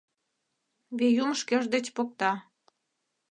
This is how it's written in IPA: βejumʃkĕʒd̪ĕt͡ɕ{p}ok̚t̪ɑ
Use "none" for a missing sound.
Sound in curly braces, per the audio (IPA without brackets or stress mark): p